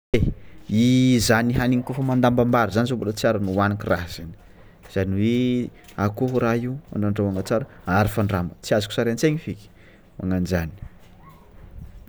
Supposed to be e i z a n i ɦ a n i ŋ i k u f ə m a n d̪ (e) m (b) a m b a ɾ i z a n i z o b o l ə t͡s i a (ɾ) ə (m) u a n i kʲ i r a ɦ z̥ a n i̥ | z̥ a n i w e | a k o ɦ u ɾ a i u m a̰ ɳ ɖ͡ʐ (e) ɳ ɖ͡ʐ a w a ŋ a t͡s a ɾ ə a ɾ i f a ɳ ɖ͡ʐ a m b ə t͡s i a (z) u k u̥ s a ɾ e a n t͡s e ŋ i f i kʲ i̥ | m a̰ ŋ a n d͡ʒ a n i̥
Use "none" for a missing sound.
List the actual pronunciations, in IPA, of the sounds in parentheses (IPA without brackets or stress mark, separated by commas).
a, b, ɾ, n, a, z